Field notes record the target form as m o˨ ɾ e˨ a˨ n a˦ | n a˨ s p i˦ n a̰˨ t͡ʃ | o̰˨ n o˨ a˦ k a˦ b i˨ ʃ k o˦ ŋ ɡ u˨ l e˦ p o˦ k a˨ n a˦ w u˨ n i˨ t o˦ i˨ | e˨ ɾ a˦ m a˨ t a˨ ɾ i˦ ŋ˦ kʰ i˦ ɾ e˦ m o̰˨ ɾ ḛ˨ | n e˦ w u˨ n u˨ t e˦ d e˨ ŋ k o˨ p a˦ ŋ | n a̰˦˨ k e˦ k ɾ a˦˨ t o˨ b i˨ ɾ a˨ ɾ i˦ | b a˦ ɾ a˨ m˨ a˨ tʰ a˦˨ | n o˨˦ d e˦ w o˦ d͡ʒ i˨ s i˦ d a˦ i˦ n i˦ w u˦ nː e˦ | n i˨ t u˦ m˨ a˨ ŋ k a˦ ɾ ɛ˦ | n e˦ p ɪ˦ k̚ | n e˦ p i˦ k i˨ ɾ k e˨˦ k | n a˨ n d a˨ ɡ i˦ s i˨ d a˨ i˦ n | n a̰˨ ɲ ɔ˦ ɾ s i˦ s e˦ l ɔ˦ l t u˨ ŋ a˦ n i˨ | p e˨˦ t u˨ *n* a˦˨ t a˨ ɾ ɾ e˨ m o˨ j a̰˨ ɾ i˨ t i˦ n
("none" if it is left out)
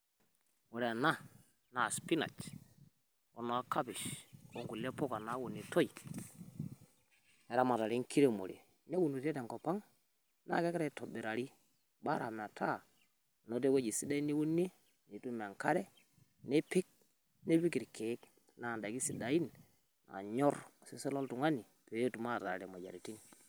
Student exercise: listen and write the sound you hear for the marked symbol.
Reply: m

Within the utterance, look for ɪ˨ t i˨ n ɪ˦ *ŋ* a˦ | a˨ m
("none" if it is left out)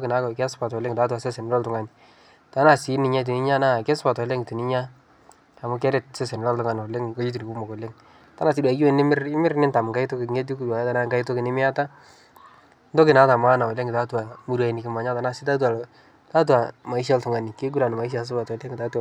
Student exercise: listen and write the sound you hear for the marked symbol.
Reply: ɲ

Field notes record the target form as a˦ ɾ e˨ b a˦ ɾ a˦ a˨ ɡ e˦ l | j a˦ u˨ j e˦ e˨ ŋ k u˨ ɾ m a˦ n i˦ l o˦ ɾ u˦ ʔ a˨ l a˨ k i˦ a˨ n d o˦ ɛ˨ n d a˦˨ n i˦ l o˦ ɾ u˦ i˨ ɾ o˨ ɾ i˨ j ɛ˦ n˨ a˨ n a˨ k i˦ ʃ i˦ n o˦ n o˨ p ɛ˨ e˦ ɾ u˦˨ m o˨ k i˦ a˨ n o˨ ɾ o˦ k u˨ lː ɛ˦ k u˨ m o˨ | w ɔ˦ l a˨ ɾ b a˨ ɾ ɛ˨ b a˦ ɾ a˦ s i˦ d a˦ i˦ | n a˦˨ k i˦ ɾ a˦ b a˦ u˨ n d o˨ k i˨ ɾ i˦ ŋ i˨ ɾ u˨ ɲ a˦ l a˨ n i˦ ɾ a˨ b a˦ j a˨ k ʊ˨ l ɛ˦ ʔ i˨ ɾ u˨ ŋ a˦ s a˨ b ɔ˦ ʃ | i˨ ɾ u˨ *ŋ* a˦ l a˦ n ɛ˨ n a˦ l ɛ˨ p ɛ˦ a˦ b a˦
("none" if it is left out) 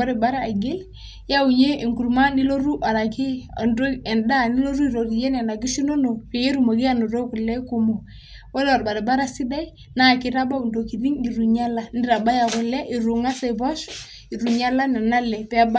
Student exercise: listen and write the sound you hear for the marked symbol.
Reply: ɲ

